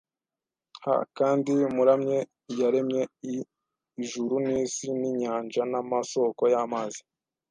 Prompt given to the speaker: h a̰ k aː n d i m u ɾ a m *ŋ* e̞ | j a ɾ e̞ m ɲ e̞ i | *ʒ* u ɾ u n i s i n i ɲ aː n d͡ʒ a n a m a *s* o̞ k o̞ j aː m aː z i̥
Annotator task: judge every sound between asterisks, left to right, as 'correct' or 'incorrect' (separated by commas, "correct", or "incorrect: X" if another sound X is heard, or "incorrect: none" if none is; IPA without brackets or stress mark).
incorrect: ɲ, correct, correct